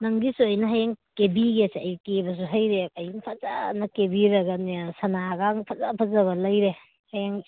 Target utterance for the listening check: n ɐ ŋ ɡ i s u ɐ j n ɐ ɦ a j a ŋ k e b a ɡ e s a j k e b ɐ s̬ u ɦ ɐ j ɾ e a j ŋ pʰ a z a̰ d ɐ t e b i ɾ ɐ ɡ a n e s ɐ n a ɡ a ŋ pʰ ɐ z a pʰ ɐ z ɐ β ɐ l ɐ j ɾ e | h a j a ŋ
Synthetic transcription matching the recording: n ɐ ŋ ɡ i s u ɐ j n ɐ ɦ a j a ŋ k e b i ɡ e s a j k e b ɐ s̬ u ɦ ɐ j ɾ e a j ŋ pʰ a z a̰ n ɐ k e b i ɾ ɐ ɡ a n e s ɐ n a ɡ a ŋ pʰ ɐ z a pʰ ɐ z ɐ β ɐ l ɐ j ɾ e | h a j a ŋ